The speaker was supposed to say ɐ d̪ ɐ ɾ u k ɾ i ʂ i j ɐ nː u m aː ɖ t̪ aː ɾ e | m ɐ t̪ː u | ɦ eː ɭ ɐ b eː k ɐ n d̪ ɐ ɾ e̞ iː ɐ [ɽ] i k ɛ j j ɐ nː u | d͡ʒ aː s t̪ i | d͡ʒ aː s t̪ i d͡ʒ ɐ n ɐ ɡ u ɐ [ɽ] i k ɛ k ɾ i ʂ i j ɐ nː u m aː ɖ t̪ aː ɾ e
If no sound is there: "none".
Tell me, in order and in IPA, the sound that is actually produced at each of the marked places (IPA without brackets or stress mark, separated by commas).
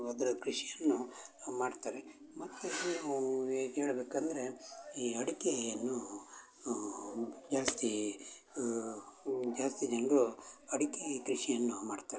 ɽ, ɽ